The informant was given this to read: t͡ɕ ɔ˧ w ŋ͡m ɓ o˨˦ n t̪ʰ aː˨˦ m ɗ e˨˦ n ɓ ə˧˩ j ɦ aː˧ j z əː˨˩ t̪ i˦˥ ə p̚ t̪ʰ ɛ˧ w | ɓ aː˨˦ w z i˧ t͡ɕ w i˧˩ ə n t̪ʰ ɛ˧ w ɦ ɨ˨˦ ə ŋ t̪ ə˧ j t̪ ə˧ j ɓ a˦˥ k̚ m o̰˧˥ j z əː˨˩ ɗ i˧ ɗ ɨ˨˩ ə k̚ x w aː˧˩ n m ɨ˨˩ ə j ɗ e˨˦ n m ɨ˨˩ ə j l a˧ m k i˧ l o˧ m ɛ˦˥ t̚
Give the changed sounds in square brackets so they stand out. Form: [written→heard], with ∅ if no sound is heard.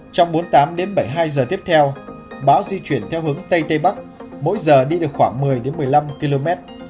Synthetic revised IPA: t͡ɕ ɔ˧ w ŋ͡m ɓ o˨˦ n [t̪ʰ→t̪] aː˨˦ m ɗ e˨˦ n ɓ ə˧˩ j ɦ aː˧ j z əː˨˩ t̪ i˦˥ ə p̚ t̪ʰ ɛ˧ w | ɓ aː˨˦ w z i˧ t͡ɕ w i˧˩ ə n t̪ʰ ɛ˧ w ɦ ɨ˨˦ ə ŋ t̪ ə˧ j t̪ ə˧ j ɓ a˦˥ k̚ m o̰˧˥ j z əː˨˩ ɗ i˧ ɗ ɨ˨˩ ə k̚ x w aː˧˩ [n→ŋ] m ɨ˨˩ ə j ɗ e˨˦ n m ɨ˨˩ ə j l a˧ m k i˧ l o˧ m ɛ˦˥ t̚